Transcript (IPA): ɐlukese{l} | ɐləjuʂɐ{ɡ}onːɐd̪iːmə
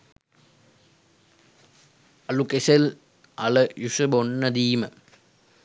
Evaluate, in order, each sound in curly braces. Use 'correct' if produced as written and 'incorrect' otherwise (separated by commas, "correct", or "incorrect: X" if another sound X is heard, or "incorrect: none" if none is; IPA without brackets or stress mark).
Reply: correct, incorrect: b